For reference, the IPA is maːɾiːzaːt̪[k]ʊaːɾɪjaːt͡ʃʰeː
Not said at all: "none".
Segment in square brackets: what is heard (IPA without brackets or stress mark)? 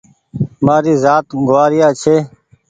ɡ